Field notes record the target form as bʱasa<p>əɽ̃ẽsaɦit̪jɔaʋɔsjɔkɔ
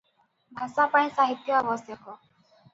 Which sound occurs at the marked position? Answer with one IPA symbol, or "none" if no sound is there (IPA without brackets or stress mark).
p